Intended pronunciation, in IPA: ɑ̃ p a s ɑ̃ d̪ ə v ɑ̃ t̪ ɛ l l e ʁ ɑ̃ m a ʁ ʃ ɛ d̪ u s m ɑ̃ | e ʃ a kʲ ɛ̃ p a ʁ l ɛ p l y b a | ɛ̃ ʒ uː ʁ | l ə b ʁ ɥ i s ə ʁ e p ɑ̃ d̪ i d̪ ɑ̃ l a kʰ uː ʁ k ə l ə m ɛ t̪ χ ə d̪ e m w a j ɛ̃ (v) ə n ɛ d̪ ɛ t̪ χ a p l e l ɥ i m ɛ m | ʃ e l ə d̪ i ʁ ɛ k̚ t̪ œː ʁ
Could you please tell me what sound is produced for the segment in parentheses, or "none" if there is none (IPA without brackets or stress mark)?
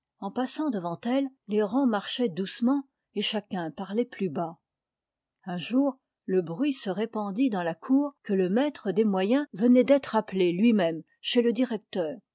v